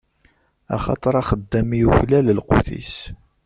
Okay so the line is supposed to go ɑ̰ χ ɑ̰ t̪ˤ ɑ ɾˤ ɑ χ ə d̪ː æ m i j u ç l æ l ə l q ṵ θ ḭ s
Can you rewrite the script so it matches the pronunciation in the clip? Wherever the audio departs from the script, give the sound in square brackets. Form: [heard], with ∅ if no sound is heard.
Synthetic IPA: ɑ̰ χ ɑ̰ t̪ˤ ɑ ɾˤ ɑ χ ə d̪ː æ m i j u ç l æ l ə l q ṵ θ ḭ s